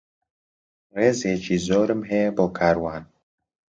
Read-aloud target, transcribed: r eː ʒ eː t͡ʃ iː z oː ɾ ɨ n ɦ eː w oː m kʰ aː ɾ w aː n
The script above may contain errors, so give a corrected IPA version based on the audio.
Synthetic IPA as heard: r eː z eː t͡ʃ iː z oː ɾ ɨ m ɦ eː b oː kʰ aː ɾ w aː n

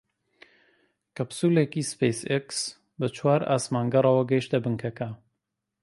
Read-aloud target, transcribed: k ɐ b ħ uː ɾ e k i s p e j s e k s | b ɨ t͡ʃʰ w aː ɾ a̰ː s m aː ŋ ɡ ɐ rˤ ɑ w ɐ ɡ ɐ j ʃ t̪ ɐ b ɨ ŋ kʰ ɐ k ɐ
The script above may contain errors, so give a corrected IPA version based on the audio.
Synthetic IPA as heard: k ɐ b s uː l e k i s p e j s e k s | b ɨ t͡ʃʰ w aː ɾ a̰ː s m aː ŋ ɡ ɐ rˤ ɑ w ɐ ɡ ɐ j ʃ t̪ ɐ b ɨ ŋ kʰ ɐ k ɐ

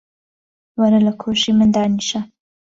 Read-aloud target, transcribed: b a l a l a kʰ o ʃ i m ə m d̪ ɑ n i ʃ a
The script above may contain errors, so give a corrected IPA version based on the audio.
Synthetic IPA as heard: w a ɾ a l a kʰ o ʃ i m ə n d̪ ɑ n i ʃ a

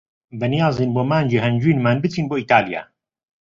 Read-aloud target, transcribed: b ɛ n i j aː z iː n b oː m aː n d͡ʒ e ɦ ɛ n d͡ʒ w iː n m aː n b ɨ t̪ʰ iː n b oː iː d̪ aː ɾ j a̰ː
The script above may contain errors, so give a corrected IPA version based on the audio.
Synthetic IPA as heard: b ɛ n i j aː z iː n b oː m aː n d͡ʒ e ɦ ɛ n d͡ʒ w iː n m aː n b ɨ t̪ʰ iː n b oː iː t̪ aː l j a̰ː

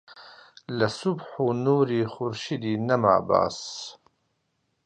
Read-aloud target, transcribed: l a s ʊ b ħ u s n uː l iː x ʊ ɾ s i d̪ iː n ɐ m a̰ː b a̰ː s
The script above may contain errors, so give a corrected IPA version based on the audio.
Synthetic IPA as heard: l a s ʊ b ħ u n uː ɾ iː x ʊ ɾ ʃ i d̪ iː n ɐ m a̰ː b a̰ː s

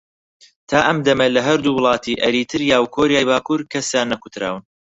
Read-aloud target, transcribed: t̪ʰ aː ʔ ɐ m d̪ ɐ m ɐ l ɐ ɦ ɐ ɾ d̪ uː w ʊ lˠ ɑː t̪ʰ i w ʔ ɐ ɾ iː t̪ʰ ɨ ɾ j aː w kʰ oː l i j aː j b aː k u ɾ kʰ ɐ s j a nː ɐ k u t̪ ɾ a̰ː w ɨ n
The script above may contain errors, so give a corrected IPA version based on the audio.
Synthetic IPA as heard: t̪ʰ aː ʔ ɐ m d̪ ɐ m ɐ l ɐ ɦ ɐ ɾ d̪ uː w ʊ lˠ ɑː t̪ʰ i ʔ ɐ ɾ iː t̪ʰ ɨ ɾ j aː w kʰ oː ɾ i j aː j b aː k u ɾ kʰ ɐ s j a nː ɐ k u t̪ ɾ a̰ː w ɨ n

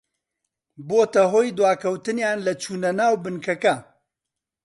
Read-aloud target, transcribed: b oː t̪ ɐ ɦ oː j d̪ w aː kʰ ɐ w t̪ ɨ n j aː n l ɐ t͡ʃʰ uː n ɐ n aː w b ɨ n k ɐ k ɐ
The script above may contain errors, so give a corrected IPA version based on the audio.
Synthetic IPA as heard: b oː t̪ ɐ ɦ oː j d̪ w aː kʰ ɐ w t̪ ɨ n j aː n l ɐ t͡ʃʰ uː n ɐ n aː w b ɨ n k ɐ k ɐ

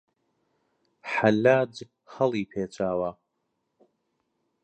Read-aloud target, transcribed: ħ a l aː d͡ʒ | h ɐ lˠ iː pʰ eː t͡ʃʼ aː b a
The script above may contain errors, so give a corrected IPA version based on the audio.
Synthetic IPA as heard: ħ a l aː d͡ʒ | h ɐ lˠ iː pʰ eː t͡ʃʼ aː w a

